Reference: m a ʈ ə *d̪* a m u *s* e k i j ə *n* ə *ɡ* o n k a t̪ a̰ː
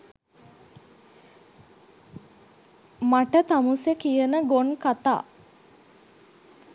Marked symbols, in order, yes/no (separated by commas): no, yes, yes, yes